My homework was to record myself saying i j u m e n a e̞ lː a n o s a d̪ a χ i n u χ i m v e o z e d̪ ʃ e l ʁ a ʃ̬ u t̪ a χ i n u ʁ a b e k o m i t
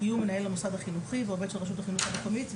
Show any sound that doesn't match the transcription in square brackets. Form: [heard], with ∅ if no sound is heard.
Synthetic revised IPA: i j u m e n a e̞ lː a [m] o s a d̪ a χ i n u χ i [∅] v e o [v] e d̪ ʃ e l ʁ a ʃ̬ u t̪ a χ i n u [χ] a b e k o m i t

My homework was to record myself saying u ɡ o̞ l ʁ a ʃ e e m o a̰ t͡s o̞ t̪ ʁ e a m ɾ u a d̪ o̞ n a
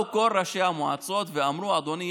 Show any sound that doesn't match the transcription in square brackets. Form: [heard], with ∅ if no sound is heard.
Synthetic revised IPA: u [k] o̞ l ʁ a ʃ e [a] m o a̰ t͡s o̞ t̪ [v] e a m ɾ u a d̪ o̞ n [i]

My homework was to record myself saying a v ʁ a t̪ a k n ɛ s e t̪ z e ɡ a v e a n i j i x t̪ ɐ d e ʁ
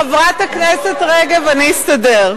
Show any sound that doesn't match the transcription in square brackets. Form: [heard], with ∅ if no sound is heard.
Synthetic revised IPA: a v ʁ a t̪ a k n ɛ s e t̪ [ʁ] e ɡ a v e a n i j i [s] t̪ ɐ d e ʁ

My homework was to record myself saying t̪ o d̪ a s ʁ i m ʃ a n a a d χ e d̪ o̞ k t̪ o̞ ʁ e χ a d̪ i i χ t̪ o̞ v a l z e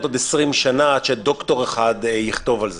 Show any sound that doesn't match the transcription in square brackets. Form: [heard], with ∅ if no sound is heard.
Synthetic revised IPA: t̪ o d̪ [e] s ʁ i m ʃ a n a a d [ʃ] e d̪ o̞ k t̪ o̞ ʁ e χ a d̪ [j] i χ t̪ o̞ v a l z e

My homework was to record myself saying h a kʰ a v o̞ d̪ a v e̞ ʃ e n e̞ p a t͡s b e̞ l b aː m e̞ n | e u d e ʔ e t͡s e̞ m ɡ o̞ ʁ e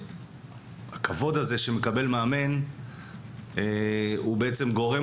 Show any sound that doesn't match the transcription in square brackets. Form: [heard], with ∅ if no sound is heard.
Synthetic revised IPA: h a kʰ a v o̞ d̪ a [z] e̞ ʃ e [m] e̞ [k] a [∅] b e̞ l [m] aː m e̞ n | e u [b] e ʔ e t͡s e̞ m ɡ o̞ ʁ e

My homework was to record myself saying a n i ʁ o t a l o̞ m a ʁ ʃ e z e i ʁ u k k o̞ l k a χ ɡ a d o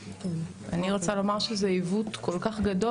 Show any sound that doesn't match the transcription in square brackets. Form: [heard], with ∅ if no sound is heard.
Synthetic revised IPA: a n i ʁ o [t͡s] a l o̞ m a ʁ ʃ e z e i [v] u [t] k o̞ l k a χ ɡ a d o

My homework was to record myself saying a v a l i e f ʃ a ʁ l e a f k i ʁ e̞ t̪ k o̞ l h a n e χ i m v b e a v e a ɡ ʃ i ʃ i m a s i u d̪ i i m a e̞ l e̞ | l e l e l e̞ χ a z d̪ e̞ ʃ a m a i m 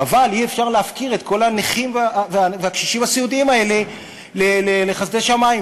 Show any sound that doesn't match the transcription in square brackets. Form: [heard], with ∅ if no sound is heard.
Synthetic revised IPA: a v a l i e f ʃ a ʁ l e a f k i ʁ e̞ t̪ k o̞ l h a n e χ i m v [v] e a v e a [k] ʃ i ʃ i m a s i u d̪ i i m a e̞ l e̞ | l e l e l e̞ χ a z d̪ e̞ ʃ a m a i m

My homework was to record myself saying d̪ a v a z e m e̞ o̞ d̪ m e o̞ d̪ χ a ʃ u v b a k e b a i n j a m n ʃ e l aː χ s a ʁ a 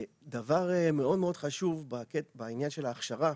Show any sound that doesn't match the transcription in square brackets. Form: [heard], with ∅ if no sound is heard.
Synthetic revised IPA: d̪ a v a [ʁ] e m e̞ o̞ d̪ m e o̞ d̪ χ a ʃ u v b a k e b a i n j a [∅] n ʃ e l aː χ [ʃ] a ʁ a

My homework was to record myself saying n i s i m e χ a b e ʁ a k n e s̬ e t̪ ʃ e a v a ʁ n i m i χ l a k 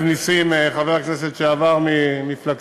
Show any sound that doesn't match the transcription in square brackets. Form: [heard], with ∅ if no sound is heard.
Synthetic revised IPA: n i s i m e χ a [v] e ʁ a k n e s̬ e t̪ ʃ e a v a ʁ [m] i m i [f] l a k

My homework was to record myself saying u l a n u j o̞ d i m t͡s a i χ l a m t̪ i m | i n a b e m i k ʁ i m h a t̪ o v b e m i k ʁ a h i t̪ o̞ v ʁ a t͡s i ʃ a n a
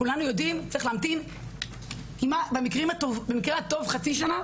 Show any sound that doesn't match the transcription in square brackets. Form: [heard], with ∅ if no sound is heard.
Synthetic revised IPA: u l a n u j o̞ d i m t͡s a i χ l a m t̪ i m | i [m] a b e m i k ʁ i m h a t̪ o v b e m i k ʁ [e] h [a] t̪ o̞ v [χ] a t͡s i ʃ a n a

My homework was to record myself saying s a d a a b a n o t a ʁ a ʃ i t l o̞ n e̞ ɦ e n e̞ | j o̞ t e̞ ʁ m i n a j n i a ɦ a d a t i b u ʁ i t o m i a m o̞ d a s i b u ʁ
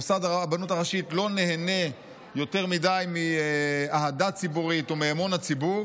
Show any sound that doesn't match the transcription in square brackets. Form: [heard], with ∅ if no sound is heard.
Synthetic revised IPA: s a d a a b a n [u] t a ʁ a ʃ i t l o̞ n e̞ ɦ e n e̞ | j o̞ t e̞ ʁ m i [d] a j [m] i a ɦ a d a [t͡s] i b u ʁ i t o m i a m o̞ [n] a [t͡s] i b u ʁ

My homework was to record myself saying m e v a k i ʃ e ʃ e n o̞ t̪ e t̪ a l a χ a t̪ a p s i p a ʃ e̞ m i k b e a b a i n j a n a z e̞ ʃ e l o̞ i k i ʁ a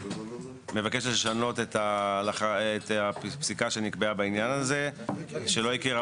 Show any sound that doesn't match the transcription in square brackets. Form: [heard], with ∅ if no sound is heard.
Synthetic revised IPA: m e v a k [e] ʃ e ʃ [a] n o̞ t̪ e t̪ a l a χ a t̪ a p s i [k] a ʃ e̞ [n] i k b e a b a i n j a n a z e̞ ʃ e l o̞ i k i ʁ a

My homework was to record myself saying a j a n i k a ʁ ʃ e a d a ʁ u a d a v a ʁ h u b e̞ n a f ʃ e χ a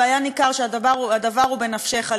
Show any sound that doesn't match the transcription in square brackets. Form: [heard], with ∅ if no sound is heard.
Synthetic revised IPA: a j a n i k a ʁ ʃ e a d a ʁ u a d a v a ʁ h u b e̞ n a f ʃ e χ a

